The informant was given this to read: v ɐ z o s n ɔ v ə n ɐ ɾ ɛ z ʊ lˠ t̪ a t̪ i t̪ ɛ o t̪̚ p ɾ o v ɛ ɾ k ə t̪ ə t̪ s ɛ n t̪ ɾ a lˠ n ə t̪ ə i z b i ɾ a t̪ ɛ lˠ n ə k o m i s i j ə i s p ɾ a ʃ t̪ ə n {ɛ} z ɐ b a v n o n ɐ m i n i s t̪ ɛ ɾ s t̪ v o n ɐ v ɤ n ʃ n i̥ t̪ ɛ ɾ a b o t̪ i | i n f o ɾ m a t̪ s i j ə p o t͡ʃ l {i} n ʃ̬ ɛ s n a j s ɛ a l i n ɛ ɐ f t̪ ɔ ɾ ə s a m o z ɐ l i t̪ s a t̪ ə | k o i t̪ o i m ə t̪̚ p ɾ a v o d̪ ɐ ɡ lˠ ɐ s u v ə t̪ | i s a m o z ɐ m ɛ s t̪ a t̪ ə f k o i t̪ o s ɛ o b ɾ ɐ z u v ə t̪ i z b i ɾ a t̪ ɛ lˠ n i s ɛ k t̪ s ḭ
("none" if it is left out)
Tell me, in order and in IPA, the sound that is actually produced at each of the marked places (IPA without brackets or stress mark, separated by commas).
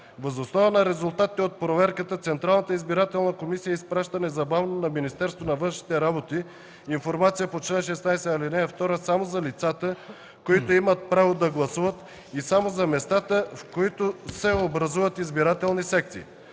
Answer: ɛ, ɛ